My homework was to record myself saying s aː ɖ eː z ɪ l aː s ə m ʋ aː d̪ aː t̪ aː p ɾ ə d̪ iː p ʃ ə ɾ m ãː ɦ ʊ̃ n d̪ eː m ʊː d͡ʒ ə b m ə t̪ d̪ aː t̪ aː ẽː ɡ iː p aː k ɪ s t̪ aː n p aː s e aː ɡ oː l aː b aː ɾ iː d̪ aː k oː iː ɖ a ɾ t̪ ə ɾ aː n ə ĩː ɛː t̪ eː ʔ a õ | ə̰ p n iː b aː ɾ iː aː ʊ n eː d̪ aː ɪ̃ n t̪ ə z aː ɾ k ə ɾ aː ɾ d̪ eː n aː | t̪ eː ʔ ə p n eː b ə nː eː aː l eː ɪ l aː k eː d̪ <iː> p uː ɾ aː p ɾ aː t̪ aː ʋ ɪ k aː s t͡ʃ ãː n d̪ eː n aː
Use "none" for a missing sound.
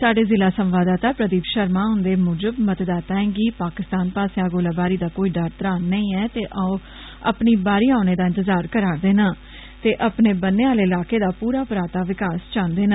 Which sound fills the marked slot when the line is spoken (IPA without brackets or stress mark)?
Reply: aː